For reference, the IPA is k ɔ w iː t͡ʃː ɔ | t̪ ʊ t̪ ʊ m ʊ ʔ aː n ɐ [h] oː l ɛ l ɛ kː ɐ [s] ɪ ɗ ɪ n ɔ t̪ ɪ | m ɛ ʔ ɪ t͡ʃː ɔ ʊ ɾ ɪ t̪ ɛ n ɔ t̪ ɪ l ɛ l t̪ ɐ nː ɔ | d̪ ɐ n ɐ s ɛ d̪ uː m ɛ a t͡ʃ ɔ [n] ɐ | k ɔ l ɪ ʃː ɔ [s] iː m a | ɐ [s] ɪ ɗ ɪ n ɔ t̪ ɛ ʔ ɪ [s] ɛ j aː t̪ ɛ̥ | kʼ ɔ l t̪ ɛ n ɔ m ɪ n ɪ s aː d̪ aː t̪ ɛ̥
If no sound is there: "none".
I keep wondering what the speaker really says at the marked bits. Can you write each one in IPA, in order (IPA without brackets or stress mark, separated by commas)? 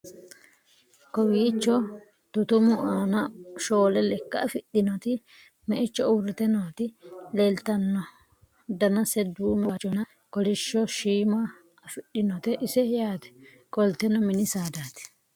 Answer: ʃ, f, n, ʃ, f, s